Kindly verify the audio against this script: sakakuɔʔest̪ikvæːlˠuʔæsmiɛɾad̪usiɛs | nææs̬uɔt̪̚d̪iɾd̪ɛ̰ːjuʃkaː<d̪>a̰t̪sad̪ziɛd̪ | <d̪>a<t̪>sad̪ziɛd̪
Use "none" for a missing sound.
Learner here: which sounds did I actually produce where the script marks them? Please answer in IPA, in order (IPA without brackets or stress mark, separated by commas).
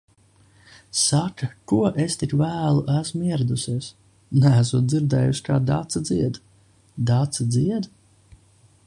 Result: d̪, d̪, t̪